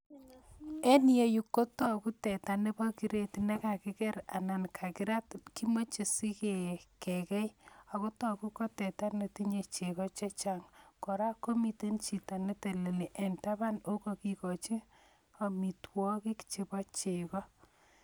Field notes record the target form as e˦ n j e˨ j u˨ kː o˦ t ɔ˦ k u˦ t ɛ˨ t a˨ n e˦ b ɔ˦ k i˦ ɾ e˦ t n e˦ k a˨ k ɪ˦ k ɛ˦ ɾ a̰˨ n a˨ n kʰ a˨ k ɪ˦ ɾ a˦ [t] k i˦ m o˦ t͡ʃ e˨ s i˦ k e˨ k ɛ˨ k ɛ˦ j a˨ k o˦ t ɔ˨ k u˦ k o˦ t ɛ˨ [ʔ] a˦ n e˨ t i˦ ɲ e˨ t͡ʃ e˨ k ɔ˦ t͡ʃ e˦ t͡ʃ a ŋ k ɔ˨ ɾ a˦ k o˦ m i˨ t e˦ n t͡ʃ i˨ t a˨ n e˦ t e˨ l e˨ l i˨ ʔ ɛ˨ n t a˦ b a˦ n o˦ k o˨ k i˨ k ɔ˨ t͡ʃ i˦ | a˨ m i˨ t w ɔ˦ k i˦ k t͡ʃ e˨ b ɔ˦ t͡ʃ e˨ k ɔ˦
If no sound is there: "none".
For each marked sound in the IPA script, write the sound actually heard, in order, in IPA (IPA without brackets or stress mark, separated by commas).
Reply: t, t